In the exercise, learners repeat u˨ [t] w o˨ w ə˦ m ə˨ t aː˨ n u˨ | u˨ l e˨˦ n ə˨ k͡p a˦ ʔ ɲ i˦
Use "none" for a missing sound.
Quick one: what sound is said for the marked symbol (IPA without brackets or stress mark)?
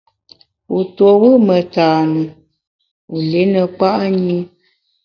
t